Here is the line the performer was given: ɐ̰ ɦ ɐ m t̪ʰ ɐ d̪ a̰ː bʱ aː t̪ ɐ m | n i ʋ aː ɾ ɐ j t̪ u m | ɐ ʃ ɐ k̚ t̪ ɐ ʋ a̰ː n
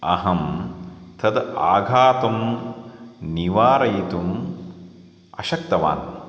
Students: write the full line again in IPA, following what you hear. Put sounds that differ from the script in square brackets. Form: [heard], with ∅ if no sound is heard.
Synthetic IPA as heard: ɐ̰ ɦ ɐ m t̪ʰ ɐ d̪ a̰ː [ɡʱ] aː t̪ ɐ m | n i ʋ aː ɾ ɐ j t̪ u m | ɐ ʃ ɐ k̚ t̪ ɐ ʋ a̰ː n